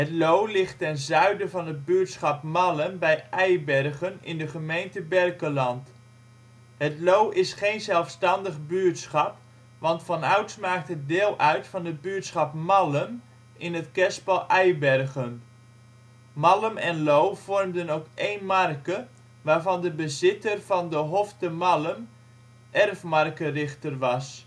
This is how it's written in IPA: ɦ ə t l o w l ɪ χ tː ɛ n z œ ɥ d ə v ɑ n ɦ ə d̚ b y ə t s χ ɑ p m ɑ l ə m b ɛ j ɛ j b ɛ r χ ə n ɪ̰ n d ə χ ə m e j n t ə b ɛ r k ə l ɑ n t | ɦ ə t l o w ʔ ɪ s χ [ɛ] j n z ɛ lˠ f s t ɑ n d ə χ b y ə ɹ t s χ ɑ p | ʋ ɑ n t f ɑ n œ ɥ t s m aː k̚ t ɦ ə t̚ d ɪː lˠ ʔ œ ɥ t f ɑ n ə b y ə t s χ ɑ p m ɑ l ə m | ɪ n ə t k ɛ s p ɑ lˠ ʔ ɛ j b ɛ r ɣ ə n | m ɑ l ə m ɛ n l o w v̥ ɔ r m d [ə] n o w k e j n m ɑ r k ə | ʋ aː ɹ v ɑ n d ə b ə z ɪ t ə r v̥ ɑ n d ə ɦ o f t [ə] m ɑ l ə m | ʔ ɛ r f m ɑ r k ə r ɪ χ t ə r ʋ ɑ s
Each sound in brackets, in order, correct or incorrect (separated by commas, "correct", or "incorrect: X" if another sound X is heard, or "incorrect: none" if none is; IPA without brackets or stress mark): incorrect: e, correct, correct